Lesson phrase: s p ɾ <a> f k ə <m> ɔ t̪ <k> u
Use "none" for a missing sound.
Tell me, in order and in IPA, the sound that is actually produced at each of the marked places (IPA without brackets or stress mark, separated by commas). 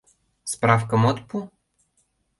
a, m, p